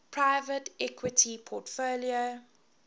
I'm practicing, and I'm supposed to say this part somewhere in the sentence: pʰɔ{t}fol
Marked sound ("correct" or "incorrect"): correct